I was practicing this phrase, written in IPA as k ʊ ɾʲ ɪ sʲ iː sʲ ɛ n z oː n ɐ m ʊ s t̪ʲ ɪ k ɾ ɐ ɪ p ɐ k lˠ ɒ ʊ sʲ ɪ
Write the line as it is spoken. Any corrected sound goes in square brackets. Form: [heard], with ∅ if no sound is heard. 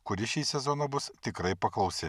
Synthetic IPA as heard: k ʊ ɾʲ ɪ [ʃʲ] iː sʲ ɛ [∅] z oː n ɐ [b] ʊ s t̪ʲ ɪ k ɾ ɐ ɪ p ɐ k lˠ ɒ ʊ sʲ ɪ